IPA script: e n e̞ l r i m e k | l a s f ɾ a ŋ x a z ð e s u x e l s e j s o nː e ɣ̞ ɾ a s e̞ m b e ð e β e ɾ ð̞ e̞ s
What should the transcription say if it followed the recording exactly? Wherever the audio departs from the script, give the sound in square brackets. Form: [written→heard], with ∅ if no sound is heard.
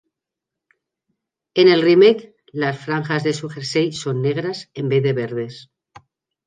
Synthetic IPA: e n e̞ l r i m e k | l a s f ɾ a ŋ x a z ð e s u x e [l→ɾ] s e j s o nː e ɣ̞ ɾ a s e̞ m b e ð e β e ɾ ð̞ e̞ s